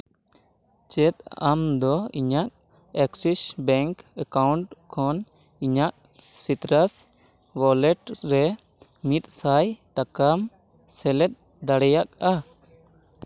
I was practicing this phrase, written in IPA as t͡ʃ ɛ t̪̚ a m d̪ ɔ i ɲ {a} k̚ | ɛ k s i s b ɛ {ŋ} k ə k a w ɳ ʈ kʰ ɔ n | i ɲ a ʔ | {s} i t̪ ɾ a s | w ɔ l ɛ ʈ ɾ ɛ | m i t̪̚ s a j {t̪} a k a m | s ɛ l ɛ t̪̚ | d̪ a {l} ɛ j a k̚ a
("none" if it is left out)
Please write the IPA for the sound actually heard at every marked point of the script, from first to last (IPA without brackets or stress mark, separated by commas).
a, ŋ, s, t̪, ɽ